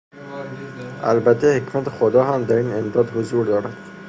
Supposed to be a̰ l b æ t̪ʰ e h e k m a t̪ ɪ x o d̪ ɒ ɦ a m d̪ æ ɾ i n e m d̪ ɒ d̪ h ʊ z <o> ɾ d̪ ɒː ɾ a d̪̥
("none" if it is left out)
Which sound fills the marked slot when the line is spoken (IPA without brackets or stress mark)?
u